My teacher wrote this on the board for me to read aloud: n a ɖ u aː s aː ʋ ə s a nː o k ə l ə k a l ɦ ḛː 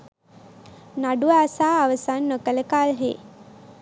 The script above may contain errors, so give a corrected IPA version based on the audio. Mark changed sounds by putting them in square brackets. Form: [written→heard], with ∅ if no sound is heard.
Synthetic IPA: n a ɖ u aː s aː ʋ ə s a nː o k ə l ə k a l ɦ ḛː